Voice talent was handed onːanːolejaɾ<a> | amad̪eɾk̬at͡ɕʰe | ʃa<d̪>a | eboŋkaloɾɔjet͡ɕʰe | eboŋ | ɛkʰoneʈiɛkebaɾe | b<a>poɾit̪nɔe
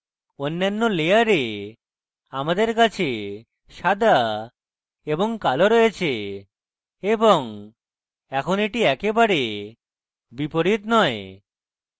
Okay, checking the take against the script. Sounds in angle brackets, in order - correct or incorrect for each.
incorrect, correct, incorrect

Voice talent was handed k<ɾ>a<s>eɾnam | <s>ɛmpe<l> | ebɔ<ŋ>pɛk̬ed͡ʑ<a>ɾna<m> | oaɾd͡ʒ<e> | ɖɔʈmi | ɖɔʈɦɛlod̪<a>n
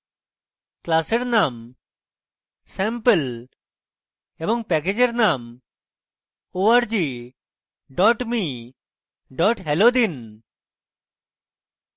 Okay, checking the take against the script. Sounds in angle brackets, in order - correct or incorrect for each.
incorrect, correct, correct, correct, correct, incorrect, correct, incorrect, incorrect

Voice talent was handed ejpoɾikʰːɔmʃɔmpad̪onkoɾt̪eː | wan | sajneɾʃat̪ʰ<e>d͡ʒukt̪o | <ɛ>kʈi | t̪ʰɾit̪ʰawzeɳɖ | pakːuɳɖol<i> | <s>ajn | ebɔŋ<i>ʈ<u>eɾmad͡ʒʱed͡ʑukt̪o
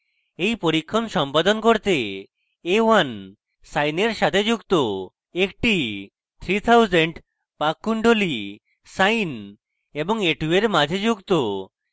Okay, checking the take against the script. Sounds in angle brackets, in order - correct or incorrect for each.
correct, incorrect, correct, correct, incorrect, correct

